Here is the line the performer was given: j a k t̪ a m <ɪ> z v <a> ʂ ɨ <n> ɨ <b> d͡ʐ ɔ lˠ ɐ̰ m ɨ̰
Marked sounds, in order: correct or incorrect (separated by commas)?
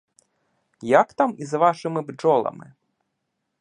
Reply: incorrect, correct, incorrect, correct